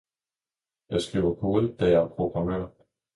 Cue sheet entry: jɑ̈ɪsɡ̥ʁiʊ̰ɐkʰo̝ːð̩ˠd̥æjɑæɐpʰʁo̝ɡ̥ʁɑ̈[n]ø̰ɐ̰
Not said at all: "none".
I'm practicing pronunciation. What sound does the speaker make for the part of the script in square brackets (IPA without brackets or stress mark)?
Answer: m